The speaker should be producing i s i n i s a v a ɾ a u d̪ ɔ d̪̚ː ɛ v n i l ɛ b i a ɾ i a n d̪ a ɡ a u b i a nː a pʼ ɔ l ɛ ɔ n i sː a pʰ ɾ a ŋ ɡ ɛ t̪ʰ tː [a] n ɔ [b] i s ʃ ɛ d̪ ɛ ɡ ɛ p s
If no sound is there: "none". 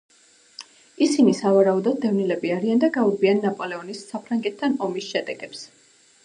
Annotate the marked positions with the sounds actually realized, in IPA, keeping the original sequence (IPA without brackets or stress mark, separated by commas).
a, m